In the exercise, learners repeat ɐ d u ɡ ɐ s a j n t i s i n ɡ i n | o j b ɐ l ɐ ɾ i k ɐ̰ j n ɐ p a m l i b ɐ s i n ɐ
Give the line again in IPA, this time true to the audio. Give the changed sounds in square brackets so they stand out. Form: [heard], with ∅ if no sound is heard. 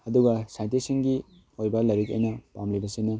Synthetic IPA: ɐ d u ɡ ɐ s a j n t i s i [ŋ] ɡ i [∅] | o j b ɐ l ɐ ɾ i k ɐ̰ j n ɐ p a m l i b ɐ s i n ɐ